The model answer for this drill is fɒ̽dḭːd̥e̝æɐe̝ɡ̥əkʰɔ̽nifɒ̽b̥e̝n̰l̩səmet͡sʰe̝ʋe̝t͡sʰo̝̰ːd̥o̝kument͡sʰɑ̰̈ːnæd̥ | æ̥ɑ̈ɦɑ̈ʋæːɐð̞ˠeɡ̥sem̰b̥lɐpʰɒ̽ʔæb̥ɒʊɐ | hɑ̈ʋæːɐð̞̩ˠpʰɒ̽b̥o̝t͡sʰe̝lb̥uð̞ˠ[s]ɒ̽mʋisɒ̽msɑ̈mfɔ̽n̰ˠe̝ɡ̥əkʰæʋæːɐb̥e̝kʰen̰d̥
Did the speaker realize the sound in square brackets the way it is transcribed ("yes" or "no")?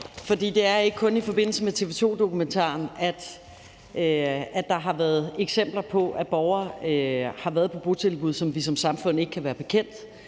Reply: yes